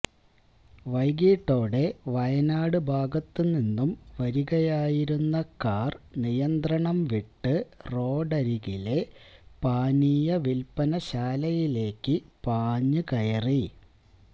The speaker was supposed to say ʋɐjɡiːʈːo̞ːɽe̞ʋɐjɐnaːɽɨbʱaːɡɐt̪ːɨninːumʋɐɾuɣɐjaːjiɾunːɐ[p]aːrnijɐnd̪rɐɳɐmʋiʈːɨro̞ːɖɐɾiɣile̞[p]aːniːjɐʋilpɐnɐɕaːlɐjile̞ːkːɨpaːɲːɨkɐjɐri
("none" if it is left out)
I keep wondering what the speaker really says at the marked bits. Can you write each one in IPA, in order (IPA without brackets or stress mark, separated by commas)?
k, p